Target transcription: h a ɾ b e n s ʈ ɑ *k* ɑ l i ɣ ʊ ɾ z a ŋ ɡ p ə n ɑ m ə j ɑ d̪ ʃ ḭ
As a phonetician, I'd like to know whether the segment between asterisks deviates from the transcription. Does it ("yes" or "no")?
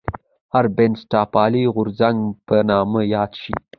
yes